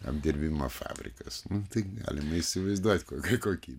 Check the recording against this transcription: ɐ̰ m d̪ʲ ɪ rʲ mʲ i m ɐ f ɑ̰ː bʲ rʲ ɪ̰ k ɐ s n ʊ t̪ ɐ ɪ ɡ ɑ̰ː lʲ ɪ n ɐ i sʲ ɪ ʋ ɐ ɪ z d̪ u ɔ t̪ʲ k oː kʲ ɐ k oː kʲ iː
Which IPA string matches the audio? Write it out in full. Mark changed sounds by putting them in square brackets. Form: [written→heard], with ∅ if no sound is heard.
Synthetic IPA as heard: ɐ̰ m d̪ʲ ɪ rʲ [mʲ→bʲ] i m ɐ f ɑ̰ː bʲ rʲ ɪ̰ k ɐ s n ʊ t̪ ɐ ɪ ɡ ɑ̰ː lʲ ɪ [n→m] ɐ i sʲ ɪ ʋ ɐ ɪ z d̪ u ɔ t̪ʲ k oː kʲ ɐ k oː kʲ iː